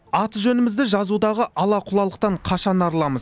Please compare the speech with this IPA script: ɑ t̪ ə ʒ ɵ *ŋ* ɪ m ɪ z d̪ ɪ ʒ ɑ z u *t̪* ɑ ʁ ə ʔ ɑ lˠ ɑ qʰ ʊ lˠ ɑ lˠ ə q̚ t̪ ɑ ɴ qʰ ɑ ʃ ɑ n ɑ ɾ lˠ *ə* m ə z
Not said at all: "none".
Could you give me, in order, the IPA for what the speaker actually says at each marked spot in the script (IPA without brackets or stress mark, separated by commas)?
n, d̪, ɑ